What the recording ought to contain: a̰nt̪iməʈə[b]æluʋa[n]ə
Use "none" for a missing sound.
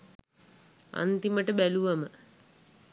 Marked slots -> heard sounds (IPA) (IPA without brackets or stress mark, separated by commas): b, m